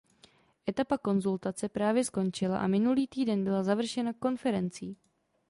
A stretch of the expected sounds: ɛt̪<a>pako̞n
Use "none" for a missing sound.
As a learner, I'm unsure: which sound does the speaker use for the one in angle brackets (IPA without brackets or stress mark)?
a